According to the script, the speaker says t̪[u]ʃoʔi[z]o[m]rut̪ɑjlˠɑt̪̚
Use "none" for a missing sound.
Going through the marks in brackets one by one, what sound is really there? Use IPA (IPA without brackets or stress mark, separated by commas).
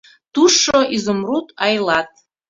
u, z, m